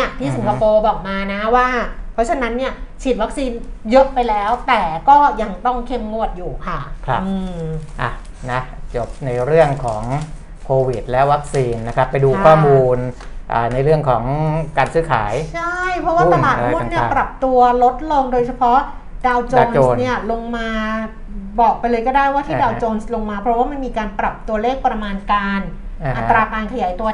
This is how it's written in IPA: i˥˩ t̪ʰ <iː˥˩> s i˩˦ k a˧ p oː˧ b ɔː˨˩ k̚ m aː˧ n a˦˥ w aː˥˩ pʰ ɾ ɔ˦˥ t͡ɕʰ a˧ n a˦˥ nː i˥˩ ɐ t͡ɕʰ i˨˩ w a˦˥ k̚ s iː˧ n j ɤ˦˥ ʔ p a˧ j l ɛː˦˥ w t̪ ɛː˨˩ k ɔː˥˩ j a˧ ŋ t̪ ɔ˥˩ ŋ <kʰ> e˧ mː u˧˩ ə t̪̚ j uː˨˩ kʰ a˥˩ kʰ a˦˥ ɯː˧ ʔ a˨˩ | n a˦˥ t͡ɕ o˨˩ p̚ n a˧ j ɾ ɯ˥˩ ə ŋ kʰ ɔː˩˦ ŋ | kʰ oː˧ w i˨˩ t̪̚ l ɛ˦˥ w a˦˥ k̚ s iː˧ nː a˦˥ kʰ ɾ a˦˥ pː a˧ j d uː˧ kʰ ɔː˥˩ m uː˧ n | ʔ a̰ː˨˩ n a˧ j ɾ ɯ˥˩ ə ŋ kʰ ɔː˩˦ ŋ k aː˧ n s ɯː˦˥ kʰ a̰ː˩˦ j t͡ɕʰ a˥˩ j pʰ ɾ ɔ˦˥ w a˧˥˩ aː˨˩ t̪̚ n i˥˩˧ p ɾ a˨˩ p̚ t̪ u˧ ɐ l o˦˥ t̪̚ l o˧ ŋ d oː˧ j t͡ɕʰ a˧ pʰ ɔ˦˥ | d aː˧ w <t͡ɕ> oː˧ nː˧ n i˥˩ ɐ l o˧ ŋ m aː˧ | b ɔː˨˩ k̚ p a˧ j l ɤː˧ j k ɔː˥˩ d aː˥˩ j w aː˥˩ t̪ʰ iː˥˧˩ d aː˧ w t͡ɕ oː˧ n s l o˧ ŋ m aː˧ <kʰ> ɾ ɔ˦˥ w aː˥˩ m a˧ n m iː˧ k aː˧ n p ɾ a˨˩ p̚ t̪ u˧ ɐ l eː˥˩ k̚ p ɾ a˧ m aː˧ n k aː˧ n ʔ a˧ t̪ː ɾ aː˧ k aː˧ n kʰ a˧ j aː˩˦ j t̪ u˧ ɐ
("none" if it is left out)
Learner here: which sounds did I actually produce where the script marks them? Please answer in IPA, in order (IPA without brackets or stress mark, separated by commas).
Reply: iː˥˩, kʰ, t͡ɕ, pʰ